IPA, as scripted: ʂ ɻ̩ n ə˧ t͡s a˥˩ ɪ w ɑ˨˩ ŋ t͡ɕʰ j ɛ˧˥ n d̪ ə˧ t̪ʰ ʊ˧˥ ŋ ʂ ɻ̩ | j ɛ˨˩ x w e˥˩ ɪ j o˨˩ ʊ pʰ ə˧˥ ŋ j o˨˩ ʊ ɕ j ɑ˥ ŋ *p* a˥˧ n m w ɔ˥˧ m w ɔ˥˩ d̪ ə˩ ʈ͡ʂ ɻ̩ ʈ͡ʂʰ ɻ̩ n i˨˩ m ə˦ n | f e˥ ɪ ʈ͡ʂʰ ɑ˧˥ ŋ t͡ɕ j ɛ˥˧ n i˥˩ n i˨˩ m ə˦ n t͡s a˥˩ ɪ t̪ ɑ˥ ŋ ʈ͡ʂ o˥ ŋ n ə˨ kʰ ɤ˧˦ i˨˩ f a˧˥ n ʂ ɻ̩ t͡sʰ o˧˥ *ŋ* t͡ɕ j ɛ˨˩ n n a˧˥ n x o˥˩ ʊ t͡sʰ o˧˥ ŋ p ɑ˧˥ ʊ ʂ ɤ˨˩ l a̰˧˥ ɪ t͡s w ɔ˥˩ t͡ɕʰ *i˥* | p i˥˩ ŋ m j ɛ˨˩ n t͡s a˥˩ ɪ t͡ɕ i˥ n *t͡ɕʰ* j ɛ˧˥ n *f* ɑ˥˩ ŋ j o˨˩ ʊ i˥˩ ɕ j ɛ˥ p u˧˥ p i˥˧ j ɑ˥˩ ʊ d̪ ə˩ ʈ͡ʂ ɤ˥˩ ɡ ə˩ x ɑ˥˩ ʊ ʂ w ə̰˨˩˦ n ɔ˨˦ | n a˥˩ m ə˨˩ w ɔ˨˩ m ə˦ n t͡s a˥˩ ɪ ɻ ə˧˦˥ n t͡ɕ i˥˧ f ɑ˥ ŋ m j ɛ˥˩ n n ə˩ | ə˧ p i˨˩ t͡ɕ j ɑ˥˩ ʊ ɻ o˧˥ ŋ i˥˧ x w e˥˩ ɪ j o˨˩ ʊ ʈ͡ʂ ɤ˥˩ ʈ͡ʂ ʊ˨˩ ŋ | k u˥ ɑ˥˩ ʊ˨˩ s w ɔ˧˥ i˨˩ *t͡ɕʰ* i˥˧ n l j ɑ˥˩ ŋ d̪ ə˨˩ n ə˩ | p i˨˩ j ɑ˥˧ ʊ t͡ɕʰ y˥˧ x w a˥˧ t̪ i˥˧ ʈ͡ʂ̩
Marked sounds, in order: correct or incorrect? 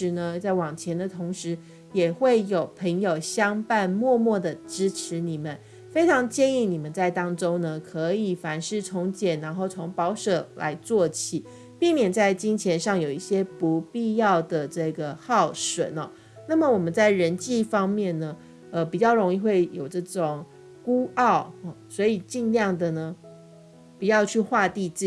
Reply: correct, correct, incorrect: i˨˩, correct, incorrect: ʂ, incorrect: t͡ɕ

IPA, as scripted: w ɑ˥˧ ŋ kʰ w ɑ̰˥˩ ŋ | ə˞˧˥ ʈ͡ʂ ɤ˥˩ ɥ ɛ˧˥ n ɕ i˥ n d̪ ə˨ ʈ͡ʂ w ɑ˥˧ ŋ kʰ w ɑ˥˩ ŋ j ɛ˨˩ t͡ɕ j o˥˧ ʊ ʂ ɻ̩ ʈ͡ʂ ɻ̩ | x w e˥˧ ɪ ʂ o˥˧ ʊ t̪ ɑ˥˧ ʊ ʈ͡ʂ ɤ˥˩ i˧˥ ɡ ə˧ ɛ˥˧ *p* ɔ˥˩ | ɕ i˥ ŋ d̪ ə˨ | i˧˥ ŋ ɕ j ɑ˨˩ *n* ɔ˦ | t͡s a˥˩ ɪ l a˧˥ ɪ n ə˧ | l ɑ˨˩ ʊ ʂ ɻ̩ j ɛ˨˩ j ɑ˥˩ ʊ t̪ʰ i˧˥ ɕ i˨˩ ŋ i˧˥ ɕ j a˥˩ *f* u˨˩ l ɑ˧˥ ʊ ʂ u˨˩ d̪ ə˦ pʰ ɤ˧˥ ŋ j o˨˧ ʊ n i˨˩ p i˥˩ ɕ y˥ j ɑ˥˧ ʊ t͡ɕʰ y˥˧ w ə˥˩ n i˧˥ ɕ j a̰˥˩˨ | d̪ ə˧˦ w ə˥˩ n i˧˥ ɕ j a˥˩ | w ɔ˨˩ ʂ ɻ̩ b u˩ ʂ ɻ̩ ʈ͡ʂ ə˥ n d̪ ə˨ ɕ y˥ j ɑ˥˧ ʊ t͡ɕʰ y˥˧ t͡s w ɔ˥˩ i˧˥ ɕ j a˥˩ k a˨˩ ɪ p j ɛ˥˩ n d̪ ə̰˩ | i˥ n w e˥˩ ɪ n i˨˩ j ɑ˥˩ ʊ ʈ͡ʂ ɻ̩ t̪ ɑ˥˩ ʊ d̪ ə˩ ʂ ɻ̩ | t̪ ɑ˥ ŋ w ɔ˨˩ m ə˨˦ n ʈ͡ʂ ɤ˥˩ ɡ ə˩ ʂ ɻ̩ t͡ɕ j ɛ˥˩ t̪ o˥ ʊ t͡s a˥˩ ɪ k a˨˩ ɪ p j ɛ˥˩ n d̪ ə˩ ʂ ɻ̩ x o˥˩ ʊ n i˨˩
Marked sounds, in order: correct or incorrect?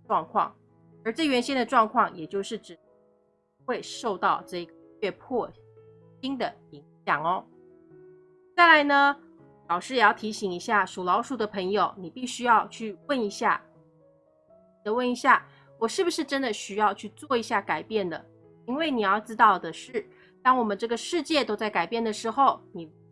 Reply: incorrect: pʰ, incorrect: ŋ, incorrect: ʂ

